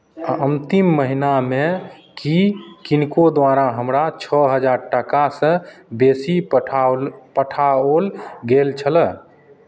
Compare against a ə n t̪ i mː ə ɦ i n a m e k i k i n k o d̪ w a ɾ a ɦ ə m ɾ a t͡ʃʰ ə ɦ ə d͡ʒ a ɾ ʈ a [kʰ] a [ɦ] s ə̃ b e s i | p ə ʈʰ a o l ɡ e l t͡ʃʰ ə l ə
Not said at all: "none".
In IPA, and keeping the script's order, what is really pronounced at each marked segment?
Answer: k, none

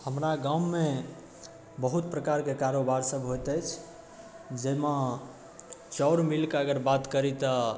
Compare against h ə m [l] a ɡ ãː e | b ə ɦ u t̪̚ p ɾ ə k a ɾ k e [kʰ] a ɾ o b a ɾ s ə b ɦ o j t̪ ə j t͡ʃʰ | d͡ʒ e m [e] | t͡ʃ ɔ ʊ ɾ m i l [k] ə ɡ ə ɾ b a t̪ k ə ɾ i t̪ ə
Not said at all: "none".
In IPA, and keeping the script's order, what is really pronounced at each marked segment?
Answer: ɾ, k, a, k

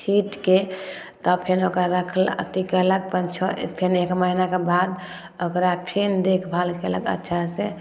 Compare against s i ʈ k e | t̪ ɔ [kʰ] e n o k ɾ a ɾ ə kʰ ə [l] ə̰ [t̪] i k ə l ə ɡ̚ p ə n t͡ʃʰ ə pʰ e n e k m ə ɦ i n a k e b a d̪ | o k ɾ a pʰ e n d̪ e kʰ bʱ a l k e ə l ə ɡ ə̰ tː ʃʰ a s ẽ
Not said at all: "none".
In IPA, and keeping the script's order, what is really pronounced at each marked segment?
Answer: pʰ, l, t̪

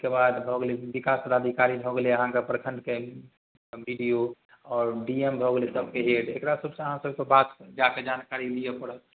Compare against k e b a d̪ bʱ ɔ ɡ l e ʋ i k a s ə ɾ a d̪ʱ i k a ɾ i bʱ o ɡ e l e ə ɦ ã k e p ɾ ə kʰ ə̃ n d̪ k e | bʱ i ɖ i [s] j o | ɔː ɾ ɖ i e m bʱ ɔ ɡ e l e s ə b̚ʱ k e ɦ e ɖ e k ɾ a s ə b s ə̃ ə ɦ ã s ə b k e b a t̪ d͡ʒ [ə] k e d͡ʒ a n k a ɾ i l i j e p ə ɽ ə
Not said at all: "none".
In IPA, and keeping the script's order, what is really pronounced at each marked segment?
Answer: none, a

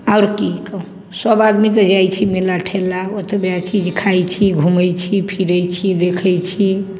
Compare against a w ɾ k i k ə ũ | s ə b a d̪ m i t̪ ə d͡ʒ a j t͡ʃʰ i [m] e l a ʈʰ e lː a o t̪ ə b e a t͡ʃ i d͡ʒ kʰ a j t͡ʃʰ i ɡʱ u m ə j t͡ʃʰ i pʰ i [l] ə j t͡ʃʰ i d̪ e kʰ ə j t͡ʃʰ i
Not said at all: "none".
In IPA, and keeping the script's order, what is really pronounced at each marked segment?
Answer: m, ɾ

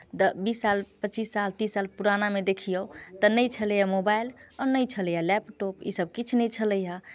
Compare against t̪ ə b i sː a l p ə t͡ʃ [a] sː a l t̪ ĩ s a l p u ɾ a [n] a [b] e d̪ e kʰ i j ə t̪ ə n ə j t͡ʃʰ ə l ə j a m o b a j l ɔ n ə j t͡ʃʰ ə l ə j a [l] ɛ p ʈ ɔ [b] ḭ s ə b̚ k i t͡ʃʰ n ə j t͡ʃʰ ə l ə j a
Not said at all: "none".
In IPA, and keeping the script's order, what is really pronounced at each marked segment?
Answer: i, n, m, l, p

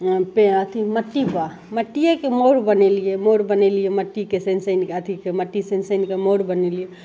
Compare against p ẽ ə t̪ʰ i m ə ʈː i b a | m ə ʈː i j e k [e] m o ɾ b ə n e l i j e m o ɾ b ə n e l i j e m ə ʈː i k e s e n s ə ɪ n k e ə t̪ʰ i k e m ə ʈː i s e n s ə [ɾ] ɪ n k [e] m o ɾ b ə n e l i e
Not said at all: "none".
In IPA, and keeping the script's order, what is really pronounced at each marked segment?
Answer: e, none, e

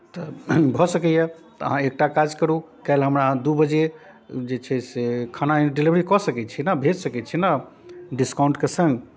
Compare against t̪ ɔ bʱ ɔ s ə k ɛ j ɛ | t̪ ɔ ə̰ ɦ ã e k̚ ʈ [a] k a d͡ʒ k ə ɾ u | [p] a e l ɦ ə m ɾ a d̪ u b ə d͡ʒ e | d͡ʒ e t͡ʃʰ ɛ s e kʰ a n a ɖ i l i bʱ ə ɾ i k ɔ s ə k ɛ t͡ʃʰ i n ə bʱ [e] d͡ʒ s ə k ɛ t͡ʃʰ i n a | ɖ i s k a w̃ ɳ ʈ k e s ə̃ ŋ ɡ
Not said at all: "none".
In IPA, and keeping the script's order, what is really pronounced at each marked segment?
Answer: a, k, e

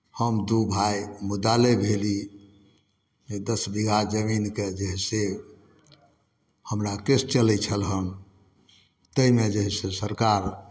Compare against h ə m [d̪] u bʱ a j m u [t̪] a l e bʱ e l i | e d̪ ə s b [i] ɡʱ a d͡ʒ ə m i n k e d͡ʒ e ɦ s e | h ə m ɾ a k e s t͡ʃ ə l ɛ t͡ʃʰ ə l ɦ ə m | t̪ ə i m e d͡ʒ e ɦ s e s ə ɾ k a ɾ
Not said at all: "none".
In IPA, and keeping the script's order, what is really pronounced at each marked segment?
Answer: d̪, d̪, i

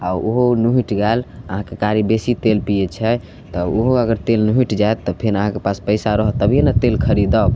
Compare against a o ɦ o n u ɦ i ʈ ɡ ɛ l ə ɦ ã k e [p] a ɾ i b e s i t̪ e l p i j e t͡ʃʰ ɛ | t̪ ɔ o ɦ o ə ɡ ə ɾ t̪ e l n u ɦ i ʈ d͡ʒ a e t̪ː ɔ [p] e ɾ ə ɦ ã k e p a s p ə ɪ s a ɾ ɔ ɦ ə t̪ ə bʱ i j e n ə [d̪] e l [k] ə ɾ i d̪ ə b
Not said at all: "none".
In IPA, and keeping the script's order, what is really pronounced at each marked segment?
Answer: k, pʰ, t̪, kʰ

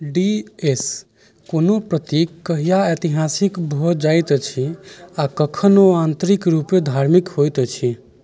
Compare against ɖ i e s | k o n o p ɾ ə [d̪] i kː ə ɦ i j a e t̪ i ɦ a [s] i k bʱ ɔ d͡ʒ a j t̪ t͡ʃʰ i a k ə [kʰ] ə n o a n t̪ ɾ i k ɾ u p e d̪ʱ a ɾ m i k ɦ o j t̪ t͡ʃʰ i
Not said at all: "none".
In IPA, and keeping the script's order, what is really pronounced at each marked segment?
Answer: t̪, s, kʰ

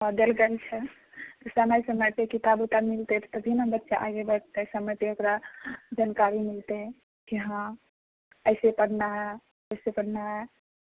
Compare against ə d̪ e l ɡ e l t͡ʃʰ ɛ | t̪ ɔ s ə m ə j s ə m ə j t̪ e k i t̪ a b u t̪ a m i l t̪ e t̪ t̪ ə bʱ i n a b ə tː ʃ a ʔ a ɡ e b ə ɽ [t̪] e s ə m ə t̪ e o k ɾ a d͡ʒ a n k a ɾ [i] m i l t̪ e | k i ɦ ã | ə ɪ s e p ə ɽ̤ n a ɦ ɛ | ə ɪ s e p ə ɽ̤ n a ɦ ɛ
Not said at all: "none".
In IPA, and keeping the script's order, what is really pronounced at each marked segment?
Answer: t̪, i

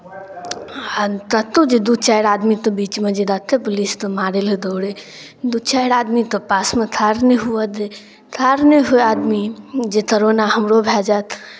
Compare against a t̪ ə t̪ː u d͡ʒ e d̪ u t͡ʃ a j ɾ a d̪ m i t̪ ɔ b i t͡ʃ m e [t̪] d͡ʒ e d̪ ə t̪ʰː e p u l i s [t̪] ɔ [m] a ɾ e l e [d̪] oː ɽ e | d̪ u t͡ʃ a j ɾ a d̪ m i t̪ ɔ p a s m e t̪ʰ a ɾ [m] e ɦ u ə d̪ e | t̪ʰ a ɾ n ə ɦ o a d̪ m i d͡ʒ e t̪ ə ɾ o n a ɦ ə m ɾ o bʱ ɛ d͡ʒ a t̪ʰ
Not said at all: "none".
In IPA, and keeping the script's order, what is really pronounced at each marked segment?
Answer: none, t̪, m, d̪, n

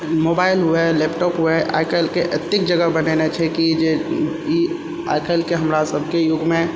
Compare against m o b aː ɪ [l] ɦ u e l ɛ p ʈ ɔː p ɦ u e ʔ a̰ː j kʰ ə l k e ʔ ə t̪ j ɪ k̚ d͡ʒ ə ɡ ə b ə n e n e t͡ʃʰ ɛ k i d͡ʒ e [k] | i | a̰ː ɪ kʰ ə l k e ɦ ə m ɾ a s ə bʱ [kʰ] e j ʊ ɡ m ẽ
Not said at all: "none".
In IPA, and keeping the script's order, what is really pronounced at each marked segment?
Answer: l, none, k

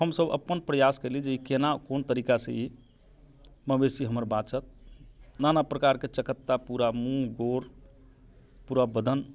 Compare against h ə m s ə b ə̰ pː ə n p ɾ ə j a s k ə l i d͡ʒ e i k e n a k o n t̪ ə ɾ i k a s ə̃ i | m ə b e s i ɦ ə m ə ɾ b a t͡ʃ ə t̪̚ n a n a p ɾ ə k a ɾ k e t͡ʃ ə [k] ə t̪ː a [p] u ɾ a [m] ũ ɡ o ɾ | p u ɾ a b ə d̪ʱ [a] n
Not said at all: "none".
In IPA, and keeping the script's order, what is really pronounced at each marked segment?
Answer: k, p, m, ə

